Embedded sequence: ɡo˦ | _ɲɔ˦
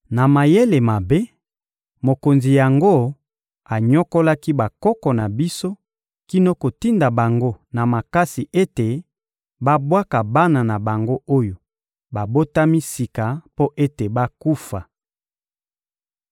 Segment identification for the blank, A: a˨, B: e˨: A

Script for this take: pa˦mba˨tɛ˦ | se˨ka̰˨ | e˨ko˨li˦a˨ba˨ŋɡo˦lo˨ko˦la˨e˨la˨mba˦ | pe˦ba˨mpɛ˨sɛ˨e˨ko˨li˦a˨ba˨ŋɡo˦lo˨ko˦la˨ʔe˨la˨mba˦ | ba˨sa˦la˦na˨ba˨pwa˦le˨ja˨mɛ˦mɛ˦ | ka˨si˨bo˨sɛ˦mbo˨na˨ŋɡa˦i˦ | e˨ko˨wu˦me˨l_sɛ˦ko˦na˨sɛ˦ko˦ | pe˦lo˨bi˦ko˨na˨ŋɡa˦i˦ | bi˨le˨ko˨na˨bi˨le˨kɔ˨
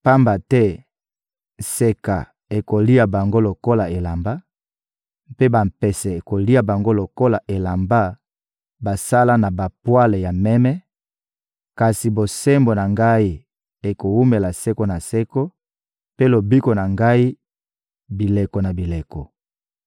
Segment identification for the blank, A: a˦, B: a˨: B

